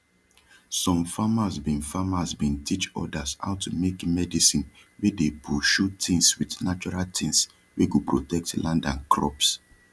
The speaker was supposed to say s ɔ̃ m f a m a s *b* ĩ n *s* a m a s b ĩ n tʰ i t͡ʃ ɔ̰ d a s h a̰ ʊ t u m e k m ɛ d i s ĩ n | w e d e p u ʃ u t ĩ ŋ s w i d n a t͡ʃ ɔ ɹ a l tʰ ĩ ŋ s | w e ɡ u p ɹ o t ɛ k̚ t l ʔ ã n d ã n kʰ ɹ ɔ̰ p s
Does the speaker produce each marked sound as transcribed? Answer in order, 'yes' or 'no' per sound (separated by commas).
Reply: yes, no